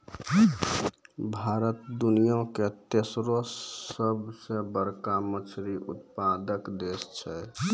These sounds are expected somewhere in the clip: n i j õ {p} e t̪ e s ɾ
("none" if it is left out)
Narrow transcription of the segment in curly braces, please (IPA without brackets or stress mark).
k